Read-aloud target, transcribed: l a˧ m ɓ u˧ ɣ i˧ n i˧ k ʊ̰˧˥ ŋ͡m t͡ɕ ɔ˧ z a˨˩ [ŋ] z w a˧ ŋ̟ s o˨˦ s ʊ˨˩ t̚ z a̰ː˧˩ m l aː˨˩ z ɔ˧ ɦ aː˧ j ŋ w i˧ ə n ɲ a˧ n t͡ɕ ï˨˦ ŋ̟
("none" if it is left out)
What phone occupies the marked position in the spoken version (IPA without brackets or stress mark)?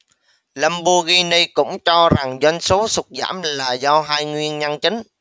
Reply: ŋ